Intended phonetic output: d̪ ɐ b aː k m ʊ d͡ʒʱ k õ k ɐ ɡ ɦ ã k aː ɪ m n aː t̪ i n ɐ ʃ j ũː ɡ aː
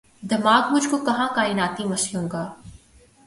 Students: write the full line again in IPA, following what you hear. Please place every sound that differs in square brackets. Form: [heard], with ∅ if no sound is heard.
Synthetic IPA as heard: d̪ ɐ [m] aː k m ʊ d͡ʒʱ k [o] k ɐ [∅] ɦ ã k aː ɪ [∅] n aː t̪ i [m] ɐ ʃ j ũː ɡ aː